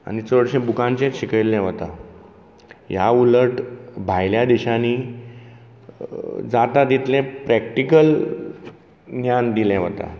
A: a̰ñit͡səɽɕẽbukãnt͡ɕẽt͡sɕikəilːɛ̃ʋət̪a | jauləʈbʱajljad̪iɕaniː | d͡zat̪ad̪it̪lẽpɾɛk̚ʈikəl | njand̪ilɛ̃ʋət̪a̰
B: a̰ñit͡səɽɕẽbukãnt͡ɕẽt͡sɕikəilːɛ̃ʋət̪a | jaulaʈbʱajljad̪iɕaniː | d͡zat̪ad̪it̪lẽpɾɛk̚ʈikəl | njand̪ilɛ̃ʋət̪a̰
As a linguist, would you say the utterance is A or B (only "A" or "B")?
A